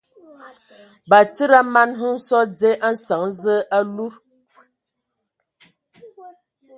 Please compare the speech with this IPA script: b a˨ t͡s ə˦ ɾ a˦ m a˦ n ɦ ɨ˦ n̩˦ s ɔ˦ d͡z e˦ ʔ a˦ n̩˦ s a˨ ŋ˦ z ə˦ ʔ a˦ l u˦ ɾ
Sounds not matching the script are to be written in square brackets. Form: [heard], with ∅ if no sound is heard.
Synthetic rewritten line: b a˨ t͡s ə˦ ɾ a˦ m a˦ n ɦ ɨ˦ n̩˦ s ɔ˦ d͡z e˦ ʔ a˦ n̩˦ s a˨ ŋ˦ z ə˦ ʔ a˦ l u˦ ɾ